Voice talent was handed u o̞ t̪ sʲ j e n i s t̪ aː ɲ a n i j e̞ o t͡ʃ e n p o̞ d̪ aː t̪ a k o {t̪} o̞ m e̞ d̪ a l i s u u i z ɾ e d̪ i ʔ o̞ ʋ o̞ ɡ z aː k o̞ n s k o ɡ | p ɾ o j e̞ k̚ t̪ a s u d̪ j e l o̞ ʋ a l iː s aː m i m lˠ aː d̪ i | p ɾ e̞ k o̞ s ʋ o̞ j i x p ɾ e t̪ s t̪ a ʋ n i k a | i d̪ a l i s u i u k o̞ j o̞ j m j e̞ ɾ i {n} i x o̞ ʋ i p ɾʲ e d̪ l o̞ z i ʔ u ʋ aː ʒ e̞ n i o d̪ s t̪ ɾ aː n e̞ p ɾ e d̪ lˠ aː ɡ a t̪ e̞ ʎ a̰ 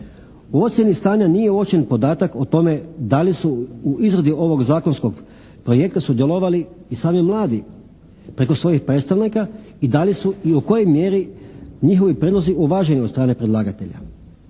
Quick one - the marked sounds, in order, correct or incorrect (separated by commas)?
correct, incorrect